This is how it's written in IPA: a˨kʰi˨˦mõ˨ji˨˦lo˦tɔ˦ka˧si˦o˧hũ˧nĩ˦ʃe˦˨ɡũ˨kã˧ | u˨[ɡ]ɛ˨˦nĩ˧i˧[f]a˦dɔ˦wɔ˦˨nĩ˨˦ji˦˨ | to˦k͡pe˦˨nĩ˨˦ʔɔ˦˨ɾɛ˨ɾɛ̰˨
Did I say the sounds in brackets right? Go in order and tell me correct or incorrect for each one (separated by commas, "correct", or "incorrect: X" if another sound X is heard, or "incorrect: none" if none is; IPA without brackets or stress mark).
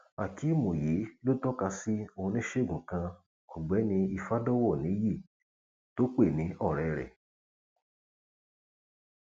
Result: incorrect: ɡ͡b, correct